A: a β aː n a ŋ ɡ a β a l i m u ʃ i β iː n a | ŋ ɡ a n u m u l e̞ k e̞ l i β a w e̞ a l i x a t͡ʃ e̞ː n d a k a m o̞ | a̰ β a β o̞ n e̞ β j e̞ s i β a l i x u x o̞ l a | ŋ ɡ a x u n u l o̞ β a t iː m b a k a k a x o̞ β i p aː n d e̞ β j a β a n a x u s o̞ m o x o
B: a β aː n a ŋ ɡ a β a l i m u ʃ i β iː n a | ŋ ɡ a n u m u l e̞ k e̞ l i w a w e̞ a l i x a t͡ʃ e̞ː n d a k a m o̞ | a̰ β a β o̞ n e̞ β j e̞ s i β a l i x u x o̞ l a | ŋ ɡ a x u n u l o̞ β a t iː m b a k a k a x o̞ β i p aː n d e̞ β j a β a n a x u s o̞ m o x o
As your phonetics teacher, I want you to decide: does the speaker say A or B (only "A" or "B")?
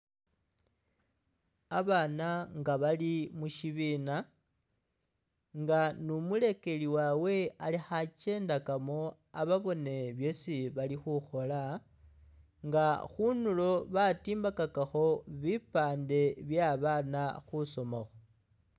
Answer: B